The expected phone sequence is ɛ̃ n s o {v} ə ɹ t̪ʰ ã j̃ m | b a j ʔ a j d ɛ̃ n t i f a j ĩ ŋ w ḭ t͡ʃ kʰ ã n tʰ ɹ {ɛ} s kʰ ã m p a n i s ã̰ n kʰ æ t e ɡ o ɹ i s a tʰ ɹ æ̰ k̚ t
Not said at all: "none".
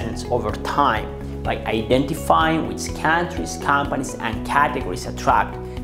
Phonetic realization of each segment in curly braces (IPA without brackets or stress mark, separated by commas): v, i